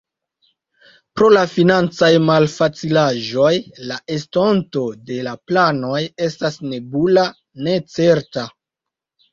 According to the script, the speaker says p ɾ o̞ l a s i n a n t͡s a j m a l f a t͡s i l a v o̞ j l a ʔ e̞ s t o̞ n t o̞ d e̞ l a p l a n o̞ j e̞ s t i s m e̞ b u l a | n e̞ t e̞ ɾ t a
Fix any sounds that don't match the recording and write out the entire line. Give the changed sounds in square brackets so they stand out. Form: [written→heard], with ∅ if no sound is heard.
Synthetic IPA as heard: p ɾ o̞ l a [s→f] i n a n t͡s a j m a l f a t͡s i l a [v→ʒ] o̞ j l a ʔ e̞ s t o̞ n t o̞ d e̞ l a p l a n o̞ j e̞ s t [i→a] s [m→n] e̞ b u l a | n e̞ [t→t͡s] e̞ ɾ t a